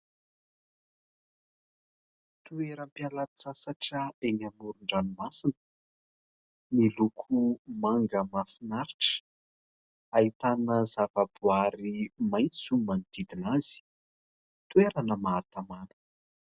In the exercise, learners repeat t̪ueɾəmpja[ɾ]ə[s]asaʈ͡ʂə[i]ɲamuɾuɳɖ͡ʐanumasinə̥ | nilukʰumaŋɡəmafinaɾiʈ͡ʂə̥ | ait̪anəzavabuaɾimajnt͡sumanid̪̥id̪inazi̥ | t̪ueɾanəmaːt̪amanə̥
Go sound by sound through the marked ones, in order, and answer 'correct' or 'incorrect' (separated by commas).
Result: incorrect, incorrect, incorrect